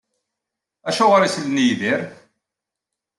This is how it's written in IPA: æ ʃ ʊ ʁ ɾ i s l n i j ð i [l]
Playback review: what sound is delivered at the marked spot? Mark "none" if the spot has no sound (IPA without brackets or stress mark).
ɾ